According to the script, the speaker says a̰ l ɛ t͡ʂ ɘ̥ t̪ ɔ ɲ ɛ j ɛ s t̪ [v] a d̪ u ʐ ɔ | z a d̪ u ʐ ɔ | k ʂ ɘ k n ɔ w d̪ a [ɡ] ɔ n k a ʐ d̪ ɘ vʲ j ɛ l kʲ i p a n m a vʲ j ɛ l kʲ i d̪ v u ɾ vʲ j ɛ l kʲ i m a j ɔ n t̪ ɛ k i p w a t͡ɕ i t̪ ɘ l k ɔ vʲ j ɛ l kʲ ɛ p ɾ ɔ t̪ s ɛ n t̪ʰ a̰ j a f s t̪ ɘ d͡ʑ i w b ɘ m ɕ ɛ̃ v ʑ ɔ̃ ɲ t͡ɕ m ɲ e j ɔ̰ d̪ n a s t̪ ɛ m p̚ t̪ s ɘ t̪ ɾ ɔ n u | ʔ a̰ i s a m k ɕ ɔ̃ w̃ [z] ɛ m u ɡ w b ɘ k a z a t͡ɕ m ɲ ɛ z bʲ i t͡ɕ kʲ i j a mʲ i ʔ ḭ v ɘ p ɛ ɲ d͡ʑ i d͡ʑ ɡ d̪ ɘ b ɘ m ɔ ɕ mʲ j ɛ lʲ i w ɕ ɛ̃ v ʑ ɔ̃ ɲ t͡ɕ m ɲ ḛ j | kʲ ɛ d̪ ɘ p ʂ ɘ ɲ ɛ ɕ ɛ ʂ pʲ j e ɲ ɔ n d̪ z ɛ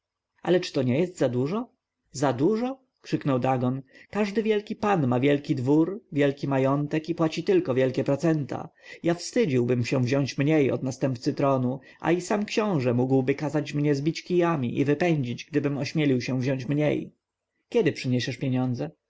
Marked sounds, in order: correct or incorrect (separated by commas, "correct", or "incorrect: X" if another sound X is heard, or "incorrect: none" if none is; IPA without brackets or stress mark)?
incorrect: z, correct, incorrect: ʐ